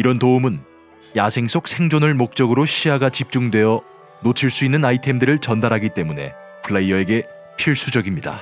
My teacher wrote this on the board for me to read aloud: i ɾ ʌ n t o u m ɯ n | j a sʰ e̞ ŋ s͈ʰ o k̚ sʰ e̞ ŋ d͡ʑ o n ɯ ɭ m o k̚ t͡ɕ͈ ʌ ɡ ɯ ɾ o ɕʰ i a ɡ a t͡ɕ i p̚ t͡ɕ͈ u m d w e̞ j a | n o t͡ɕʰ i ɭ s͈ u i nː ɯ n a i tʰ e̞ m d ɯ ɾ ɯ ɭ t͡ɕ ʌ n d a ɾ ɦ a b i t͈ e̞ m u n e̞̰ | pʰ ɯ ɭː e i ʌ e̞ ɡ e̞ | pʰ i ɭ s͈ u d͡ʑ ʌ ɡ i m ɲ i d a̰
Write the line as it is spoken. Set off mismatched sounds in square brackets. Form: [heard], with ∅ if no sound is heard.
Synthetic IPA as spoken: i ɾ ʌ n t o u m ɯ n | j a sʰ e̞ ŋ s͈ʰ o k̚ sʰ e̞ ŋ d͡ʑ o n ɯ ɭ m o k̚ t͡ɕ͈ ʌ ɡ ɯ ɾ o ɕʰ i a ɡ a t͡ɕ i p̚ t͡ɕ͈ u [ŋ] d w e̞ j [ʌ] | n o t͡ɕʰ i ɭ s͈ u i nː ɯ n a i tʰ e̞ m d ɯ ɾ ɯ ɭ t͡ɕ ʌ n d a ɾ ɦ a [ɡ] i t͈ e̞ m u n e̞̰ | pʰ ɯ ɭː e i ʌ e̞ ɡ e̞ | pʰ i ɭ s͈ u d͡ʑ ʌ ɡ i m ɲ i d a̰